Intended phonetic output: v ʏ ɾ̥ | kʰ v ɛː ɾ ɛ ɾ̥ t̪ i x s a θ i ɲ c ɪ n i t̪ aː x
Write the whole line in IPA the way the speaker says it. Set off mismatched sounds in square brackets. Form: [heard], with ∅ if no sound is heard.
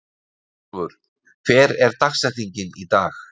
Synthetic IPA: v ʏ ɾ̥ | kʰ v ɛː ɾ ɛ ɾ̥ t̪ [a] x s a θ i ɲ c ɪ n i t̪ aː x